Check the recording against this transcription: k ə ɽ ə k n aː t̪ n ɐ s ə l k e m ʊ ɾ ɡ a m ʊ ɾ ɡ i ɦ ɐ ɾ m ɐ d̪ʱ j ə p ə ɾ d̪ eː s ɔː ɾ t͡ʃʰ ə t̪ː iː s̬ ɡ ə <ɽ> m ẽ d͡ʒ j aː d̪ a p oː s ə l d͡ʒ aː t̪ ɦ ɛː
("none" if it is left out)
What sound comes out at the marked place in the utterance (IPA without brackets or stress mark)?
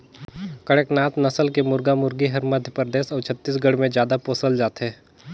ɽ